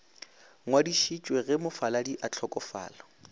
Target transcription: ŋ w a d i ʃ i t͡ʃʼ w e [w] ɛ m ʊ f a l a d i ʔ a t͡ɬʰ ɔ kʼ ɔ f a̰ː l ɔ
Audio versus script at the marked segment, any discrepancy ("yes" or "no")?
yes